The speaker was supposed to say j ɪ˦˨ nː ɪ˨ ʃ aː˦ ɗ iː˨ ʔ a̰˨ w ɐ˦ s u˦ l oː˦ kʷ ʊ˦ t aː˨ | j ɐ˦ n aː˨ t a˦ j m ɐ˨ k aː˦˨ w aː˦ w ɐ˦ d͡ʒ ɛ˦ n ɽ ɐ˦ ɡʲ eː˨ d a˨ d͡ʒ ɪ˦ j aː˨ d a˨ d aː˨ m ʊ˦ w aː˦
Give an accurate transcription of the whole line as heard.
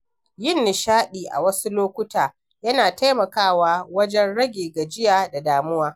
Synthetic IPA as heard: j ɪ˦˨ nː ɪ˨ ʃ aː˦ ɗ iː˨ ʔ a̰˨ w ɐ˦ s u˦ l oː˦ kʷ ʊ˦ t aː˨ | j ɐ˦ n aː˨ t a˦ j m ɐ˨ k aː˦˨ w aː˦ w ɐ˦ d͡ʒ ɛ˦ n ɽ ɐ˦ ɡʲ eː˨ ɡ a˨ d͡ʒ ɪ˦ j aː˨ d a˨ d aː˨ m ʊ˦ w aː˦